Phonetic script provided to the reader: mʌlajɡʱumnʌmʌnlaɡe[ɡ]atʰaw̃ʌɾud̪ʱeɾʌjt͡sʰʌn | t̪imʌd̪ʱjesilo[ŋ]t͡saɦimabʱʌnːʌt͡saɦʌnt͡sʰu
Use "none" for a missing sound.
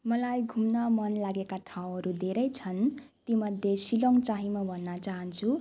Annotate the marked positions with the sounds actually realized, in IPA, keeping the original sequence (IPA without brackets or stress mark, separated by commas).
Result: k, ŋ